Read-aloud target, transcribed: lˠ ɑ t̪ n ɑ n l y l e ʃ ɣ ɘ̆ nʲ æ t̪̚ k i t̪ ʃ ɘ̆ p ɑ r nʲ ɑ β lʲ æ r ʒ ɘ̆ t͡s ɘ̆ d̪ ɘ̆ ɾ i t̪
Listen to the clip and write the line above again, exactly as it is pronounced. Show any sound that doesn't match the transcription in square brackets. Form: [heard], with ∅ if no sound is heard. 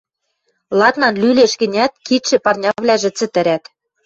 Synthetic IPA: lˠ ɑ t̪ n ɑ n l y l e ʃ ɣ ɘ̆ nʲ æ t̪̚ k i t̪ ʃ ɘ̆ p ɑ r nʲ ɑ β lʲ æ [∅] ʒ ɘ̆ t͡s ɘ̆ [t̪] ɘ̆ ɾ [æ] t̪